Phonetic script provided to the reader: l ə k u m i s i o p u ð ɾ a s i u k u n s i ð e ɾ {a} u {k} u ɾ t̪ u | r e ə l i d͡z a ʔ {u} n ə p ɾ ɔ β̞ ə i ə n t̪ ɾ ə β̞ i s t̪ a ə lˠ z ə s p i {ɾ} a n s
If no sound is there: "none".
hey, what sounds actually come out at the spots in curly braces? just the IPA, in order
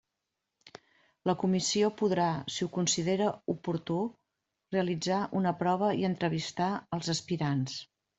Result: ə, p, u, ɾ

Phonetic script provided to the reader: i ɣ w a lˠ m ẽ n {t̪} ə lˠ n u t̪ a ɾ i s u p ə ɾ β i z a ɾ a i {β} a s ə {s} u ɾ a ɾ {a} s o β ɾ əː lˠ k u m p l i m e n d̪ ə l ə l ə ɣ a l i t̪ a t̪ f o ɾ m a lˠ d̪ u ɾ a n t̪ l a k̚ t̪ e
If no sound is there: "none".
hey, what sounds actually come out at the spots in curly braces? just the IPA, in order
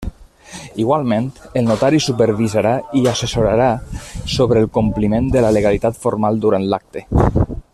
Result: t̪, none, s, a

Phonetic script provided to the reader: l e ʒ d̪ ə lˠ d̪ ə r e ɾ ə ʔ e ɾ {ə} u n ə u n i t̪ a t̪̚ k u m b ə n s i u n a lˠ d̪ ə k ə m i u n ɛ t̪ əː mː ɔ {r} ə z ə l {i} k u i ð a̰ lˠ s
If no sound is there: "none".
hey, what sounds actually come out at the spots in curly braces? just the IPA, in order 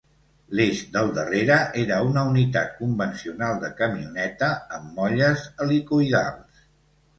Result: ə, ʎ, i

